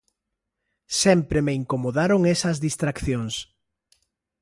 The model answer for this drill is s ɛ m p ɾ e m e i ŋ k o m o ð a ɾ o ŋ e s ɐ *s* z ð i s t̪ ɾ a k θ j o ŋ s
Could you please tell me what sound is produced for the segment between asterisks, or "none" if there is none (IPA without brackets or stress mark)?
none